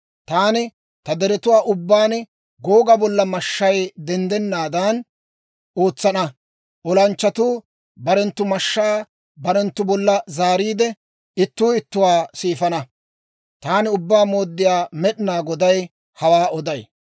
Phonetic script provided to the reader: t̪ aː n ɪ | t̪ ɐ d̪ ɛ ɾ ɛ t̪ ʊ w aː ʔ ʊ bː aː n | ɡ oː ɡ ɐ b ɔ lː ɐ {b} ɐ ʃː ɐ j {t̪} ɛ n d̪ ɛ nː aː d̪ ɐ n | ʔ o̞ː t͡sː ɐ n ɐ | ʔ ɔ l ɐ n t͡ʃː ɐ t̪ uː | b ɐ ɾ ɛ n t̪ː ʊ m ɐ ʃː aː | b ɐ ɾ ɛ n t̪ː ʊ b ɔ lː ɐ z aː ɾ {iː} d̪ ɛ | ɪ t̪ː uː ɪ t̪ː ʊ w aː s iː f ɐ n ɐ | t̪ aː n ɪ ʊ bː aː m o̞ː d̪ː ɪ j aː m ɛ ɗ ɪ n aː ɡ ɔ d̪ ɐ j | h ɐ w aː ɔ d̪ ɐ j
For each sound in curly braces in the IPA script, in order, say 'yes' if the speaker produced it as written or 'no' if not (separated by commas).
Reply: no, no, yes